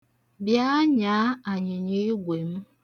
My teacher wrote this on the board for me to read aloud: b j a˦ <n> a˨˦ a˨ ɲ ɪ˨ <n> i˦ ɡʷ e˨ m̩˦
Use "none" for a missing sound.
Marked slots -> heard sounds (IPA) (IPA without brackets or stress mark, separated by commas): ɲ, ɲ